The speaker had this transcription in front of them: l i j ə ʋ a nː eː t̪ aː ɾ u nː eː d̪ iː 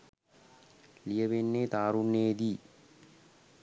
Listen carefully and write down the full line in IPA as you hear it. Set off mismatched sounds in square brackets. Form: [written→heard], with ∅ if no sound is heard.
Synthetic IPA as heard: l i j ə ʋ [a→e] nː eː t̪ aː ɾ u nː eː d̪ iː